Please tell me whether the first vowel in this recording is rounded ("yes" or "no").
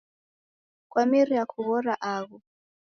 no